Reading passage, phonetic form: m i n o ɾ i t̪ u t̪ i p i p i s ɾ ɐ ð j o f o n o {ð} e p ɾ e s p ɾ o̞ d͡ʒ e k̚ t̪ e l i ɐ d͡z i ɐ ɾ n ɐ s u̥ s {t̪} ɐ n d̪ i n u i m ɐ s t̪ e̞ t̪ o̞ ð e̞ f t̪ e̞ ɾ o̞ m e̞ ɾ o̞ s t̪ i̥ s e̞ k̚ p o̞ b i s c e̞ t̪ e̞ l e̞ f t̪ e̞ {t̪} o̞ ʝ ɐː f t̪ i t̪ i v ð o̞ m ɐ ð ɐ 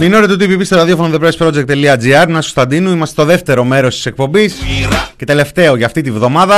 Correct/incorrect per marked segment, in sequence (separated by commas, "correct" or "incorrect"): correct, correct, incorrect